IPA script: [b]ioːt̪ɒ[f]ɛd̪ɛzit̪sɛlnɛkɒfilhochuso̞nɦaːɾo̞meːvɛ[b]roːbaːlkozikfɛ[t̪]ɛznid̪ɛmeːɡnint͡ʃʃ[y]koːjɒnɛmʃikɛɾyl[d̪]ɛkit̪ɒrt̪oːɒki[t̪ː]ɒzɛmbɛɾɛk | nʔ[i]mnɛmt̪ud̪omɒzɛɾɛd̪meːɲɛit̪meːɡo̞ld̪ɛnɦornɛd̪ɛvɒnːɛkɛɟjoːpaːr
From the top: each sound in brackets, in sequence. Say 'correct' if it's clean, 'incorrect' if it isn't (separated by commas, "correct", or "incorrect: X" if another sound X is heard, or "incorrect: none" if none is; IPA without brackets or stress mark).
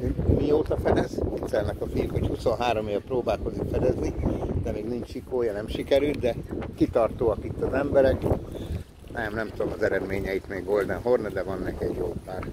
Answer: incorrect: m, correct, incorrect: p, incorrect: d̪, incorrect: i, correct, correct, incorrect: ɛ